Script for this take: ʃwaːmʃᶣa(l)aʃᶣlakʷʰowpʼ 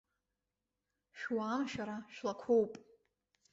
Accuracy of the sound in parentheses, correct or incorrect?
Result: incorrect